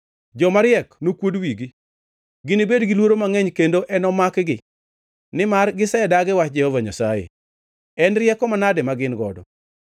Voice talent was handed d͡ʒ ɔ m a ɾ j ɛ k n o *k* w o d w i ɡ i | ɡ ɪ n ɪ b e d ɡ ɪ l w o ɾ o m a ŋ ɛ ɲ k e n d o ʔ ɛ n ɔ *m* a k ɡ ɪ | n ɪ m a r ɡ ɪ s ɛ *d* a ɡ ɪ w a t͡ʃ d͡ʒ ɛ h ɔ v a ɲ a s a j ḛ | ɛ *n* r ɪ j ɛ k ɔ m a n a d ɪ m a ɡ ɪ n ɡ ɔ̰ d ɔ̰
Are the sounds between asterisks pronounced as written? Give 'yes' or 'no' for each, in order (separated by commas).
yes, yes, yes, yes